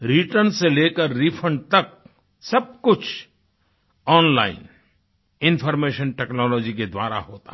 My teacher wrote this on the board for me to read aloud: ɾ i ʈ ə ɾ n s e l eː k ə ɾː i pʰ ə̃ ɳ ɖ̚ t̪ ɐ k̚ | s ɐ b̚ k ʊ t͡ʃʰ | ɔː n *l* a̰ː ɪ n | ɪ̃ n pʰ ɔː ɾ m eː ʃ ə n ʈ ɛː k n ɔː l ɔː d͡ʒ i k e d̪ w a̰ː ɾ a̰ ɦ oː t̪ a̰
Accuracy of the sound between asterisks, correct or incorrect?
correct